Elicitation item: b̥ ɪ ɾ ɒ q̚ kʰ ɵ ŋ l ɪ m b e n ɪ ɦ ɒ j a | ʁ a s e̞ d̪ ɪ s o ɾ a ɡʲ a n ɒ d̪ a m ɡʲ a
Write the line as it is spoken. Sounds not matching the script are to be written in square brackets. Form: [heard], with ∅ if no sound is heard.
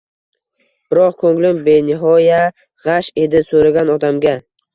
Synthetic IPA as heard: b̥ ɪ ɾ ɒ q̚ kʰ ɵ ŋ l ɪ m b e n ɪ ɦ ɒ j a | ʁ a [ʃ] e̞ d̪ ɪ s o ɾ a ɡʲ a n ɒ d̪ a m ɡʲ a